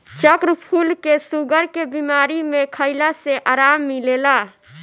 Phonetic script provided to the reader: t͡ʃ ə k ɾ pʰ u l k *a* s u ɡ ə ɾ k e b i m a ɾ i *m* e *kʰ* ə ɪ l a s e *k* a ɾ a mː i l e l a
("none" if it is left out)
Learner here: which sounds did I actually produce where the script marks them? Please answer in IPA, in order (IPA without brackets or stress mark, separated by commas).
e, m, kʰ, ʔ